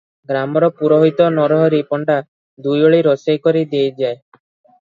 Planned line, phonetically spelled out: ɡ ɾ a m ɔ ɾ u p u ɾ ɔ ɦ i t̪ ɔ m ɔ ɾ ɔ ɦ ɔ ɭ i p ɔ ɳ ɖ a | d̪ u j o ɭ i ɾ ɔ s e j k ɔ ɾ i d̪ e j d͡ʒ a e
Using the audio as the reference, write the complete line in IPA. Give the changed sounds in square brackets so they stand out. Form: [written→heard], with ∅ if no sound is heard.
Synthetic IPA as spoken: ɡ ɾ a m ɔ ɾ [u→ɔ] p u ɾ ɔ ɦ i t̪ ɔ [m→n] ɔ ɾ ɔ ɦ ɔ [ɭ→ɾ] i p ɔ ɳ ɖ a | d̪ u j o ɭ i ɾ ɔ s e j k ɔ ɾ i d̪ e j d͡ʒ a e